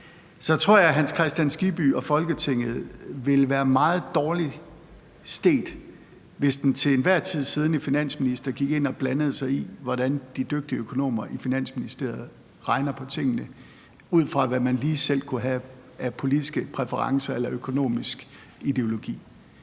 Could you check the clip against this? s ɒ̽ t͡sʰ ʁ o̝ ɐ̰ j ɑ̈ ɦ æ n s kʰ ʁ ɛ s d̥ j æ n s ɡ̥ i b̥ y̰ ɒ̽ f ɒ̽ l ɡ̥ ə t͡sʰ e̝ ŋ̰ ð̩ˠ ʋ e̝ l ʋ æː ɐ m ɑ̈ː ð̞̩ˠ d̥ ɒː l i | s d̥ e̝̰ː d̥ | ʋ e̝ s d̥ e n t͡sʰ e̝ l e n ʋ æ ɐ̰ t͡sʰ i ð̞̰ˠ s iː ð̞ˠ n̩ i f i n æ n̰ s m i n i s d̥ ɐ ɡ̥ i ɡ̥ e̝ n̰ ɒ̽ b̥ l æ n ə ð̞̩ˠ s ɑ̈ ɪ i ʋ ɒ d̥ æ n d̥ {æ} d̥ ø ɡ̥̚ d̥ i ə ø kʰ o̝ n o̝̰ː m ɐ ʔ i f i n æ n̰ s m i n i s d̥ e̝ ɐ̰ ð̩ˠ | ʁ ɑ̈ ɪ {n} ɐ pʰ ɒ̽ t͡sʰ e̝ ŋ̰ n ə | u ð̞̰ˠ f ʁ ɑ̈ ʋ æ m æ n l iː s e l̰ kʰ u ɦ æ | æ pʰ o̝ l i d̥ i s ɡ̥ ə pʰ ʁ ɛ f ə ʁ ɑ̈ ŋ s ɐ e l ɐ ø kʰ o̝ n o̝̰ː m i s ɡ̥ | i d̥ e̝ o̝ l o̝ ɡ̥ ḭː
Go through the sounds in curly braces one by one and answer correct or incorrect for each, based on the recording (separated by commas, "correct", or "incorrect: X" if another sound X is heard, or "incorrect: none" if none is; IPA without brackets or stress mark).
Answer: incorrect: i, correct